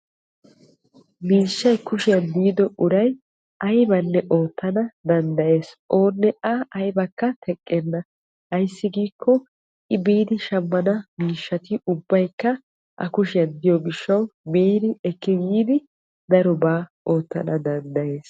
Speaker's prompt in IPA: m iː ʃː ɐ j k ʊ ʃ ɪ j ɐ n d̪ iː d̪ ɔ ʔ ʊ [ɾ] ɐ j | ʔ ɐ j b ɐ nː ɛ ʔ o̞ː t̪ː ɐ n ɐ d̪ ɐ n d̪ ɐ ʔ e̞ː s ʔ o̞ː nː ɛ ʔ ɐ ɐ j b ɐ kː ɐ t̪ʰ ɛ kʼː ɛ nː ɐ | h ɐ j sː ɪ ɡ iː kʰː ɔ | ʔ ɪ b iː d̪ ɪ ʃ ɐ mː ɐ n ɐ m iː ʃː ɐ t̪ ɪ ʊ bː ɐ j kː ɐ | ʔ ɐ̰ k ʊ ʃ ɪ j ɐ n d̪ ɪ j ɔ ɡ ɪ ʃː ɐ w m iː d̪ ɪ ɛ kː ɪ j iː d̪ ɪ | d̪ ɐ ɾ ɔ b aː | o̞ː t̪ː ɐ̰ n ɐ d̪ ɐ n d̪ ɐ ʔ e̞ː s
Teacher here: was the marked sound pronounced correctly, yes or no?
yes